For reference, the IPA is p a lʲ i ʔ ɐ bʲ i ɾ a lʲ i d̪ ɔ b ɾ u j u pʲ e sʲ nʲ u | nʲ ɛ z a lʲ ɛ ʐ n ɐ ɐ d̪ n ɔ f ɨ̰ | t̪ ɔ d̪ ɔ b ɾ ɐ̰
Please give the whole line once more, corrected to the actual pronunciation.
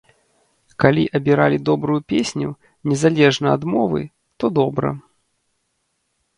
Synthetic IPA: k a lʲ i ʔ ɐ bʲ i ɾ a lʲ i d̪ ɔ b ɾ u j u pʲ e sʲ nʲ u | nʲ ɛ z a lʲ ɛ ʐ n ɐ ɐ d̪ m ɔ v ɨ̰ | t̪ ɔ d̪ ɔ b ɾ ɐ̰

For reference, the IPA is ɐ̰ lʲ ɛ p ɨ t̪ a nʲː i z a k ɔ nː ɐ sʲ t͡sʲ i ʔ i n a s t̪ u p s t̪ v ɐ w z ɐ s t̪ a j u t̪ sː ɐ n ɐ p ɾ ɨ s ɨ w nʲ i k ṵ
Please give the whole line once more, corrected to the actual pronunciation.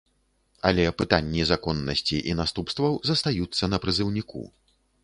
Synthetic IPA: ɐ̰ lʲ ɛ p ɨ t̪ a nʲː i z a k ɔ nː ɐ sʲ t͡sʲ i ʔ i n a s t̪ u p s t̪ v ɐ w z ɐ s t̪ a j u t̪ sː ɐ n ɐ p ɾ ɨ z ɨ w nʲ i k ṵ

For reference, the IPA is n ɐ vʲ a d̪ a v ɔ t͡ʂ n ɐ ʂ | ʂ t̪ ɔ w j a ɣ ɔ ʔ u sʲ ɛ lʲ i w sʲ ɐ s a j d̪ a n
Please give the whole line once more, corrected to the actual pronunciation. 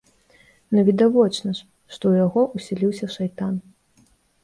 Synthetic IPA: n ɐ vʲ i d̪ a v ɔ t͡ʂ n ɐ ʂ | ʂ t̪ ɔ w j a ɣ ɔ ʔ u sʲ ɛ lʲ i w sʲ ɐ ʂ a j t̪ a n

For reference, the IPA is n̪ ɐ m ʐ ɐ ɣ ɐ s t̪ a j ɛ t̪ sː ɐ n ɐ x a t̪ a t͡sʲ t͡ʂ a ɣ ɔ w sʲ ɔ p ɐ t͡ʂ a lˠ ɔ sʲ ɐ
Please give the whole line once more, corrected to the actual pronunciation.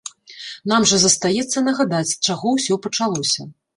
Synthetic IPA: n̪ a m ʐ ɐ z ɐ s t̪ a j ɛ t̪ sː ɐ n ɐ ɣ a d̪ a t͡sʲ t͡ʂ a ɣ ɔ w sʲ ɔ p ɐ t͡ʂ a lˠ ɔ sʲ ɐ

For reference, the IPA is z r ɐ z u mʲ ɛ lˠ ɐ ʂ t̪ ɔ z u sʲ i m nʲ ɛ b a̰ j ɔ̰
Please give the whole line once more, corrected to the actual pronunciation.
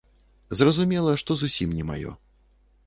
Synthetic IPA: z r ɐ z u mʲ ɛ lˠ ɐ ʂ t̪ ɔ z u sʲ i m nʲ ɛ m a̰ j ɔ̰

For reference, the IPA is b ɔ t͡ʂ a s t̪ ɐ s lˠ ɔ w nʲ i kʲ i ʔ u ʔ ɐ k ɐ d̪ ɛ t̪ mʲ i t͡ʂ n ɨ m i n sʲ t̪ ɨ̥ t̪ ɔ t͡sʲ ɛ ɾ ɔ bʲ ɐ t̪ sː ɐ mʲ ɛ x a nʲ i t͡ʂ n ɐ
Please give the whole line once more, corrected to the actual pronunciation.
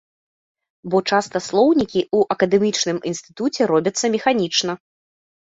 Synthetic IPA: b ɔ t͡ʂ a s t̪ ɐ s lˠ ɔ w nʲ i kʲ i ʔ u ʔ ɐ k ɐ d̪ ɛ mʲ i t͡ʂ n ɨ m i n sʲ t̪ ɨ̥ t̪ u t͡sʲ ɛ ɾ ɔ bʲ ɐ t̪ sː ɐ mʲ ɛ x a nʲ i t͡ʂ n ɐ

